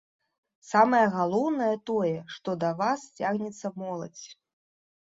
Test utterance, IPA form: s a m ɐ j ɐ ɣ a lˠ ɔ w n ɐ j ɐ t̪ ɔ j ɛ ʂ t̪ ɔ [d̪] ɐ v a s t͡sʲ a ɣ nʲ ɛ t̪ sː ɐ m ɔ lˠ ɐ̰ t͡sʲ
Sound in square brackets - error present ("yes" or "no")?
no